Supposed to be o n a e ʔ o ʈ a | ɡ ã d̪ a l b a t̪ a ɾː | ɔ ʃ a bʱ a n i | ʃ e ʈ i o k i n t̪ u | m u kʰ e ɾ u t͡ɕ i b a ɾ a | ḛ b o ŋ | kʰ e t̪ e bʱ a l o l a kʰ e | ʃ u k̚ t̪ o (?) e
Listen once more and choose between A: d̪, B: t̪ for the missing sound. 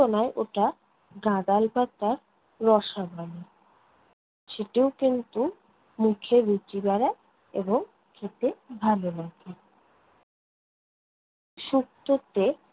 B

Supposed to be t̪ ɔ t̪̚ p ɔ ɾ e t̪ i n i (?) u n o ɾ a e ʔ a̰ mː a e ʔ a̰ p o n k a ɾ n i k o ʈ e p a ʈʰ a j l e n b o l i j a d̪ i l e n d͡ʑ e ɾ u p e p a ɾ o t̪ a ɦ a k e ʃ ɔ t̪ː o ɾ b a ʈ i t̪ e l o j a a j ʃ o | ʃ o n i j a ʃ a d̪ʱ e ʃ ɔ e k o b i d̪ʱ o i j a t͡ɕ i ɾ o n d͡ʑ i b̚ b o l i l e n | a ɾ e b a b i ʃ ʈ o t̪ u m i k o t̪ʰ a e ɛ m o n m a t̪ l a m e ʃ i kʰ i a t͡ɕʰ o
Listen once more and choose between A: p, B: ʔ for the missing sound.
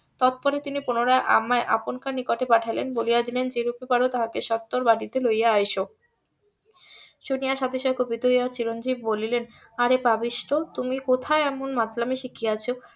A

